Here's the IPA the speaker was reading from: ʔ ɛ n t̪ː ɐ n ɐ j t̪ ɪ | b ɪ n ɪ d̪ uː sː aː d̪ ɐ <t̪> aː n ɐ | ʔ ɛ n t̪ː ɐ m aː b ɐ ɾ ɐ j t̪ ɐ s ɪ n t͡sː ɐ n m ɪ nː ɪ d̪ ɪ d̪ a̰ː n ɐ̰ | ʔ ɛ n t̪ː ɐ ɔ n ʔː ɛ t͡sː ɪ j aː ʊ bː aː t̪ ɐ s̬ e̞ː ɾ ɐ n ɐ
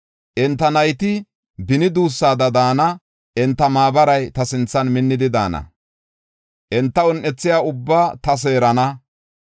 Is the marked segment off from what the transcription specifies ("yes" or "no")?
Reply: yes